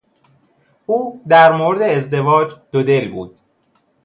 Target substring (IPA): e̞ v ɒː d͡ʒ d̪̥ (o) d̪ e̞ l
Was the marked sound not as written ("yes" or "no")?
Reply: no